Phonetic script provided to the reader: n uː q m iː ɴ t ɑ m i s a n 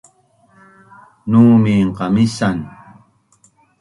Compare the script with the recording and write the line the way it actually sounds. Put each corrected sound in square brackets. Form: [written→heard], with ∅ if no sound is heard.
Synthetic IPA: n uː [q→∅] m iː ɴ [t→q] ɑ m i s a n

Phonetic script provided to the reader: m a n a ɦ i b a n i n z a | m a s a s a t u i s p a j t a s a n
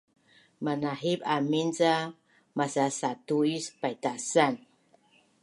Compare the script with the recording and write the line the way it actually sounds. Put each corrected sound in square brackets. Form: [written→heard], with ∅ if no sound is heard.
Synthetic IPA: m a n a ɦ i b a [n→m] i n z a | m a s a s a t u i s p a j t a s a n

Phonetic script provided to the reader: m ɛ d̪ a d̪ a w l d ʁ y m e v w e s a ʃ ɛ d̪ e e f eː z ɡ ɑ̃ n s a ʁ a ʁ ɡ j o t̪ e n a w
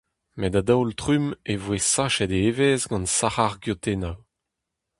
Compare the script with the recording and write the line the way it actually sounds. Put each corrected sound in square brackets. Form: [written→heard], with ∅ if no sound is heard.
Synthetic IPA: m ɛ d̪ a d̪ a w l [d→t] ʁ y m e v w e s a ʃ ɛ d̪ e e [f→v] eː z ɡ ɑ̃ n s a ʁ a ʁ ɡ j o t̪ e n a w

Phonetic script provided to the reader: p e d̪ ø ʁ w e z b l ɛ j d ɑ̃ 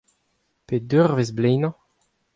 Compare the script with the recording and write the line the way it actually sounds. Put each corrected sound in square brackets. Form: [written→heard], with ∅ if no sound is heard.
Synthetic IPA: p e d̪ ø ʁ [w→v] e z b l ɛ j [d→n] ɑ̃

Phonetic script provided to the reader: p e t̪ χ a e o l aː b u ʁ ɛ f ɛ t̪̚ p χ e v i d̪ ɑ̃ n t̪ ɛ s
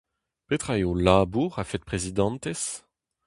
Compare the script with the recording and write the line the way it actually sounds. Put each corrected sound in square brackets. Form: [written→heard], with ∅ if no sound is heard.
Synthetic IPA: p e t̪ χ a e o l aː b u ʁ [ɛ→a] f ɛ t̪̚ p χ e [v→z] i d̪ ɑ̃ n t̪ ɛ s

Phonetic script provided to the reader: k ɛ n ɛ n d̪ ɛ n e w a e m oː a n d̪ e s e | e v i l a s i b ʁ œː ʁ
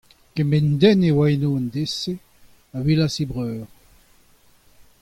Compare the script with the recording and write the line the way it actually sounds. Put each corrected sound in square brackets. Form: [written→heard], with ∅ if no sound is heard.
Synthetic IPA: k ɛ [n→m] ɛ n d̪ ɛ n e w a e [m→n] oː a n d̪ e s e | [e→a] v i l a s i b ʁ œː ʁ

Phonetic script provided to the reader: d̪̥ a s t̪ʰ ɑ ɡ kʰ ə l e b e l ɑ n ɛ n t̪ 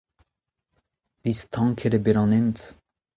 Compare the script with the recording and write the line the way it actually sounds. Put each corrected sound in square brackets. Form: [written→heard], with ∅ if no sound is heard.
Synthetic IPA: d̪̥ [a→i] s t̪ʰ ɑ [ɡ→ŋ] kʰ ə [l→ɾ] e b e [l→ɾ] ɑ n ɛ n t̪

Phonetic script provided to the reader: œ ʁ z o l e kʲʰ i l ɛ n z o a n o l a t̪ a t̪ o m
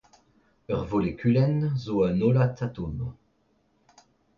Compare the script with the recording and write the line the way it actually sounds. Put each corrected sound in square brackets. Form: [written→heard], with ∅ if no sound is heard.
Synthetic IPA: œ ʁ [z→v] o l e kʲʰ [i→y] l ɛ n z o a n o l a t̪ a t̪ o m

